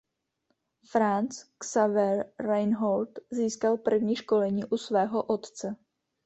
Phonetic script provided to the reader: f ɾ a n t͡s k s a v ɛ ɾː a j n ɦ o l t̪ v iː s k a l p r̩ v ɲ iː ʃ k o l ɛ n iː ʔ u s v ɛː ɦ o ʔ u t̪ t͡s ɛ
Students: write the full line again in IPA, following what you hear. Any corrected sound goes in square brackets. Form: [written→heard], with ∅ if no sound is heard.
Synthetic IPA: f ɾ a n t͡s k s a v ɛ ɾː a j n ɦ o l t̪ [v→z] iː s k a l p r̩ v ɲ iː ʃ k o l ɛ [n→ɲ] iː ʔ u s v ɛː ɦ o ʔ [u→o] t̪ t͡s ɛ